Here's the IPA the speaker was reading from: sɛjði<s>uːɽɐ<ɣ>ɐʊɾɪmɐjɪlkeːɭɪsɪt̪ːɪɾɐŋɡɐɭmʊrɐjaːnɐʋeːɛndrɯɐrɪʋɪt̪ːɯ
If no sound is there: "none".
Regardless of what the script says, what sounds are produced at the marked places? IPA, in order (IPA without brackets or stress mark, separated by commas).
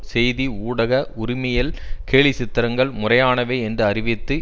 none, ɣ